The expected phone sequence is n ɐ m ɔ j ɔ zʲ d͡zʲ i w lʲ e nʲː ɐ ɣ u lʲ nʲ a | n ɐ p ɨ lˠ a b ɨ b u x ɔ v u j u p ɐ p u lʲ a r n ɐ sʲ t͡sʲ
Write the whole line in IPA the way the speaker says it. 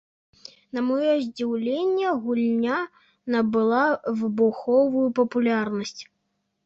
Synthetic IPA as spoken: n ɐ m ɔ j ɔ zʲ d͡zʲ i w lʲ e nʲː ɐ ɣ u lʲ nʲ a | n ɐ b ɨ lˠ a v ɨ b u x ɔ v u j u p ɐ p u lʲ a r n ɐ sʲ t͡sʲ